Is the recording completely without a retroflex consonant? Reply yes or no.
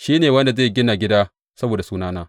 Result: yes